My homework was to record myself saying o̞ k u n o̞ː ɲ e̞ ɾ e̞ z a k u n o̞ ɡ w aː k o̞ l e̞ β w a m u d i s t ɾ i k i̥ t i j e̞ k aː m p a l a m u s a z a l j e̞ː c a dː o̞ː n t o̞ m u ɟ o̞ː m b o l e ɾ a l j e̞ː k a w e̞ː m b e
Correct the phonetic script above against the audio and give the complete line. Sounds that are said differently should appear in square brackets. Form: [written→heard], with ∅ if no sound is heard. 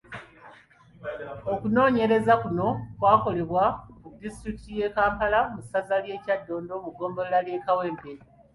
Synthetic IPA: o̞ k u n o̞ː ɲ e̞ ɾ e̞ z a k u n o̞ [ɡ→k] w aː k o̞ l e̞ β w a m u d i s t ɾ i k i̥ t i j e̞ k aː m p a l a m u s a z a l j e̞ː c a dː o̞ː n [t→d] o̞ m u [ɟ→ɡ] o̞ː m b o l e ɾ a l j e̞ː k a w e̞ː m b e